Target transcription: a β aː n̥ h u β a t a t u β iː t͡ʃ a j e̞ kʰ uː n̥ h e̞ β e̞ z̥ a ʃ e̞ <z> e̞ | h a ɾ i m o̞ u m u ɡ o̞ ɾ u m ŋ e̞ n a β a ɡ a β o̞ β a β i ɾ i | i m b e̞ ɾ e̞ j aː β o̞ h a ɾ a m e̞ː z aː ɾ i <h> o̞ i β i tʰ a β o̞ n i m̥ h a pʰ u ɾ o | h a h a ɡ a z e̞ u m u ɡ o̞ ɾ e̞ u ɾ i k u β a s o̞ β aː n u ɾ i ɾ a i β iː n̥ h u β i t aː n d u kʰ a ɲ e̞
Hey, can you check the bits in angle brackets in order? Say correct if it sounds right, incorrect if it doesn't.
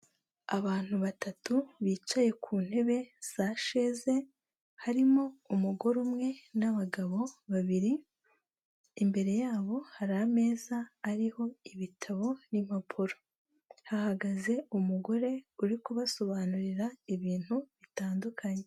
correct, correct

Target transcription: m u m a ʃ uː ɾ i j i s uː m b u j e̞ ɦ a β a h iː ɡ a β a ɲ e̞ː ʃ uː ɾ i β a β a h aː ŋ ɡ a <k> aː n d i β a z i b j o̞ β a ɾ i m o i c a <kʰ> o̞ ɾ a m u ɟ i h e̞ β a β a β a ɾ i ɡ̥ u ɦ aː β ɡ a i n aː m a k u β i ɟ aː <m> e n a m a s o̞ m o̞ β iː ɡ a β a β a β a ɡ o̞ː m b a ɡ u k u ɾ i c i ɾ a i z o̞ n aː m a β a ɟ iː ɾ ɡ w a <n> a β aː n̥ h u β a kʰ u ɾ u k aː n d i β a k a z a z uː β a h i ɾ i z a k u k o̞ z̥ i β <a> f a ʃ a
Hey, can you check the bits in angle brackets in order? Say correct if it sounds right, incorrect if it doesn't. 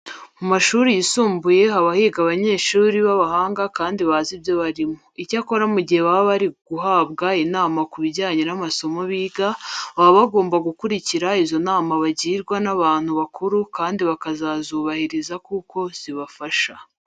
correct, incorrect, incorrect, correct, correct

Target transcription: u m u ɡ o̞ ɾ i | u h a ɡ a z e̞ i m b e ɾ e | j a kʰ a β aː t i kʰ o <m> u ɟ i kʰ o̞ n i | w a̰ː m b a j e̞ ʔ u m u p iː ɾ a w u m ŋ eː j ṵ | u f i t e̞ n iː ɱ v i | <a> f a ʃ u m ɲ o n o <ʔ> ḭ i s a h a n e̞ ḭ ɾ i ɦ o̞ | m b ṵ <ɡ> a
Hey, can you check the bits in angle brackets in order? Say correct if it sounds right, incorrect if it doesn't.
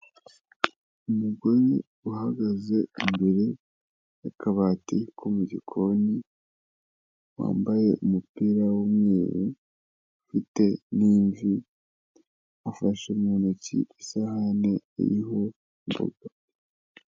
correct, correct, incorrect, correct

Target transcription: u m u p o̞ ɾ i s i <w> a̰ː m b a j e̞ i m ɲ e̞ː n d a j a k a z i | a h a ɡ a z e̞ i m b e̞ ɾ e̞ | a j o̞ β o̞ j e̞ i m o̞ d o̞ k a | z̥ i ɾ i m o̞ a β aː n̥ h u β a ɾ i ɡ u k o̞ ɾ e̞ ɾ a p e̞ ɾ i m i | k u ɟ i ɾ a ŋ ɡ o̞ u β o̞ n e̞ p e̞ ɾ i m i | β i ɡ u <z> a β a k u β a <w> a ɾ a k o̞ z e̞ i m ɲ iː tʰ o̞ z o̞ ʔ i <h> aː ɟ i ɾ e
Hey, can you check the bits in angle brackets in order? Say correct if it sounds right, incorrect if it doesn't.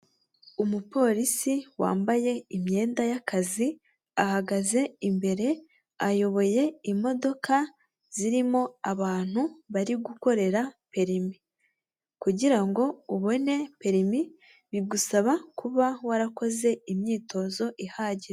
correct, incorrect, correct, correct

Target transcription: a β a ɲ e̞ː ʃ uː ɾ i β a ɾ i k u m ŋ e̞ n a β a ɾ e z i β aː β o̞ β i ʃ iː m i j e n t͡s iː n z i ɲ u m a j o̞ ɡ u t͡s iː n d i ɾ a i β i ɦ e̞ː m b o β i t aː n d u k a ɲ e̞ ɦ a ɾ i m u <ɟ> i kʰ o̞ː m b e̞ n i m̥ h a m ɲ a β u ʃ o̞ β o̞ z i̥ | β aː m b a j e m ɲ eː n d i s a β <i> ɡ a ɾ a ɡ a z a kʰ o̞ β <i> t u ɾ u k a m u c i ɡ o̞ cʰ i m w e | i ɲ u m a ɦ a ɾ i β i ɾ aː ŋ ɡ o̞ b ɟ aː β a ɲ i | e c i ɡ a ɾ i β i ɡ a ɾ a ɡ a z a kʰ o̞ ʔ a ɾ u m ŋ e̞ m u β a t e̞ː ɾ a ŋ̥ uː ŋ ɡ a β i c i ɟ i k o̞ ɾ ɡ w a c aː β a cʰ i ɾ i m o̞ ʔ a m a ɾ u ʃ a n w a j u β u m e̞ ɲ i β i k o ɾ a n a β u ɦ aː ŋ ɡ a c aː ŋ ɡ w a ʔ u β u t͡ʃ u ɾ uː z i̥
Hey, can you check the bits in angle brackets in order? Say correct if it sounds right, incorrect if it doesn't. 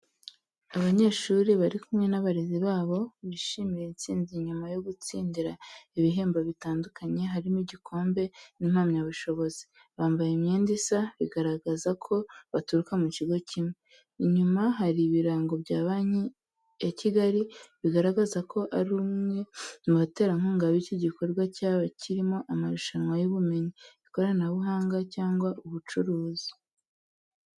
correct, correct, incorrect

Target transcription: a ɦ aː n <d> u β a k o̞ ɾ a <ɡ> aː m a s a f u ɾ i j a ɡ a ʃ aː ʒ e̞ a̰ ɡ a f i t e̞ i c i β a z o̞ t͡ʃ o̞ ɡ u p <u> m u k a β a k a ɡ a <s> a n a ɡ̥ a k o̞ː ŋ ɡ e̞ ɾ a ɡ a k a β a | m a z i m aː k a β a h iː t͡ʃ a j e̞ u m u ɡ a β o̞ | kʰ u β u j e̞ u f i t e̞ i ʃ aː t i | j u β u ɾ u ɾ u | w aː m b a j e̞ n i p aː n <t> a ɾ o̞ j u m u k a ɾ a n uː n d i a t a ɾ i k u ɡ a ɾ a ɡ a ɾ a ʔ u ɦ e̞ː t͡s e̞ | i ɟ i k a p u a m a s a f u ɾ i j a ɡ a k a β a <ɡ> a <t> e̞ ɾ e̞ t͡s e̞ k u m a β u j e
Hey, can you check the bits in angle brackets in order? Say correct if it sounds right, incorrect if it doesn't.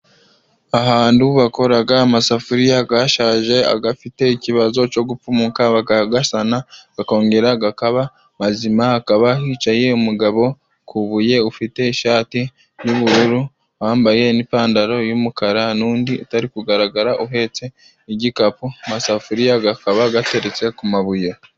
correct, correct, correct, correct, incorrect, correct, correct

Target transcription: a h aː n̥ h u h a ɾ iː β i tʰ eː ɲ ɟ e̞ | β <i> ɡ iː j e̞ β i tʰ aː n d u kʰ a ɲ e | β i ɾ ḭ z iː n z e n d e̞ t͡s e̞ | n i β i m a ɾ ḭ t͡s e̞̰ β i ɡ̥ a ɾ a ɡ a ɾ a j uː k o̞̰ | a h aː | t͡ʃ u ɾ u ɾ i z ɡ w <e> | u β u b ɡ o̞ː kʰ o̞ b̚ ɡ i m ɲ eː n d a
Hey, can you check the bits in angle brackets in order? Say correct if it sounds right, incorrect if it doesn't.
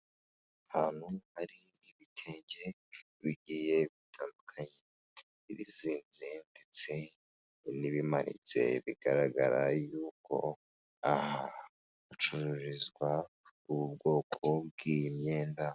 correct, incorrect

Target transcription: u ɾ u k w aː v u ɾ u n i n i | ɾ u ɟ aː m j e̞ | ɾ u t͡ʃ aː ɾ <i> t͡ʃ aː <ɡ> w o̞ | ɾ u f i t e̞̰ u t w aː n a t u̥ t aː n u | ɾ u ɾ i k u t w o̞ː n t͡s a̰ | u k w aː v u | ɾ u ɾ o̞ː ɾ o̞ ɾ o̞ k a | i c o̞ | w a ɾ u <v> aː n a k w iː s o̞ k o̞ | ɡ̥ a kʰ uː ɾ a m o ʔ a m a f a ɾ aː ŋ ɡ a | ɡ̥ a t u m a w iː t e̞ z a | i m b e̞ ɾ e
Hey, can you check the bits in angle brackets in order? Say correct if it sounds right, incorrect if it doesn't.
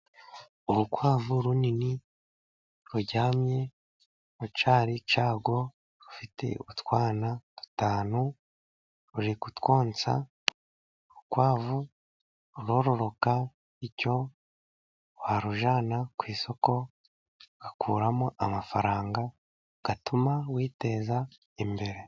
correct, correct, incorrect

